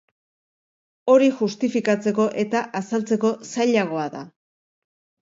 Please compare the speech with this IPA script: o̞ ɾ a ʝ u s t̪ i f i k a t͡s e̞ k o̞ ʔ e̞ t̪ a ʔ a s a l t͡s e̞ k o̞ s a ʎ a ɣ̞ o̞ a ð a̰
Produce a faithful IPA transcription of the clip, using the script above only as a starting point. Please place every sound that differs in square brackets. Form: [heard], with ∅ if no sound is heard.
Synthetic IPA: o̞ ɾ [i] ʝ u s t̪ i f i k a t͡s e̞ k o̞ ʔ e̞ t̪ a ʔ a s a l t͡s e̞ k o̞ s a ʎ a ɣ̞ o̞ a ð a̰